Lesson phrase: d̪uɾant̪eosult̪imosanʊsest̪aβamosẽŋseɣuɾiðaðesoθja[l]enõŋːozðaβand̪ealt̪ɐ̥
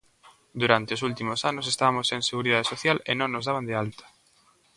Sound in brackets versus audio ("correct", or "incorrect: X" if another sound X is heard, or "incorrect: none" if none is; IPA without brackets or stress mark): correct